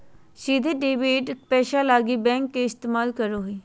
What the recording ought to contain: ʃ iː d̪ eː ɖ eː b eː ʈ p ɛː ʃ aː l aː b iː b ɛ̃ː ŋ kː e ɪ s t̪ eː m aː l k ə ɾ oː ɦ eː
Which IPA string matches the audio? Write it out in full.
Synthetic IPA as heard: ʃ iː d̪ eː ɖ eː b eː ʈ p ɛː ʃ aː l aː ɡ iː b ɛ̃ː ŋ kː e ɪ s t̪ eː m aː l k ə ɾ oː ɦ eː